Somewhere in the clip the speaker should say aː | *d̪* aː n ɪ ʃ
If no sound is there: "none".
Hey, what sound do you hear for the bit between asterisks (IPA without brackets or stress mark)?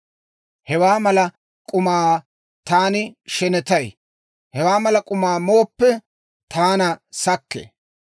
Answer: t̪